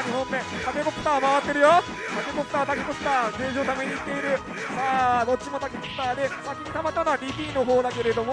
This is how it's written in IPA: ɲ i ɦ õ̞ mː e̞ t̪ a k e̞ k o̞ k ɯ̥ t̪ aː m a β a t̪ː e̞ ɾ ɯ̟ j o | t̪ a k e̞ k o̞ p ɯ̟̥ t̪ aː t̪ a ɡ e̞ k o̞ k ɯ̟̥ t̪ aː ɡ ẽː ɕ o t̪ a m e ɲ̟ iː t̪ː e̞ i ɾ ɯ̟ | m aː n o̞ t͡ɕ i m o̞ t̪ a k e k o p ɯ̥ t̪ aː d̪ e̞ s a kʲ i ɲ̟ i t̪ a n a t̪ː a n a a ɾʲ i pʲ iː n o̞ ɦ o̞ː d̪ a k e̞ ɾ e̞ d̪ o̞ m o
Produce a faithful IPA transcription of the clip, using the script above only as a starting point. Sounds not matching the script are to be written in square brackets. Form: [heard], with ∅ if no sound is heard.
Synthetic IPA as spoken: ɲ i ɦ õ̞ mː e̞ t̪ a k e̞ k o̞ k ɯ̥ t̪ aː m a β a t̪ː e̞ ɾ ɯ̟ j o | t̪ a k e̞ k o̞ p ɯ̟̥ t̪ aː t̪ a [k] e̞ k o̞ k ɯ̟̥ t̪ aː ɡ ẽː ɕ o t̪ a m e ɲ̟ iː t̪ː e̞ i ɾ ɯ̟ | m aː n o̞ t͡ɕ i m o̞ t̪ a k e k o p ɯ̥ t̪ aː d̪ e̞ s a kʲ i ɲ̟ i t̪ a [m] a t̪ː a n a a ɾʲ i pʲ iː n o̞ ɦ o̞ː d̪ a k e̞ ɾ e̞ d̪ o̞ m o